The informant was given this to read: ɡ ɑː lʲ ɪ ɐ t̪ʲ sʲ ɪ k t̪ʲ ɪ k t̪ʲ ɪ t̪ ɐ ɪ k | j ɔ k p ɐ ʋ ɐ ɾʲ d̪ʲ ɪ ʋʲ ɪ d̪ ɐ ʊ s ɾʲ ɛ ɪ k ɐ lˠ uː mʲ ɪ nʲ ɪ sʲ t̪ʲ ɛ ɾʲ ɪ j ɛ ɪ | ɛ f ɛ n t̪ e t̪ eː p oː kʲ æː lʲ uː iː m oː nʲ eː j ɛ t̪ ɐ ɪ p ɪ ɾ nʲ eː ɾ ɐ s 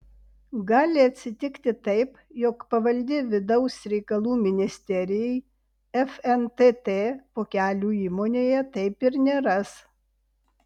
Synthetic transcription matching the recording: ɡ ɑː lʲ ɪ ɐ t̪ʲ sʲ ɪ t̪ʲ ɪ k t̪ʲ ɪ t̪ ɐ ɪ p | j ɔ k p ɐ ʋ ɐ lʲ d̪ʲ ɪ ʋʲ ɪ d̪ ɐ ʊ s ɾʲ ɛ ɪ k ɐ lˠ uː mʲ ɪ nʲ ɪ sʲ t̪ʲ ɛ ɾʲ ɪ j ɛ ɪ | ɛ f ɛ n t̪ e t̪ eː p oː kʲ æː lʲ uː iː m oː nʲ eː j ɛ t̪ ɐ ɪ p ɪ ɾ nʲ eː ɾ ɐ s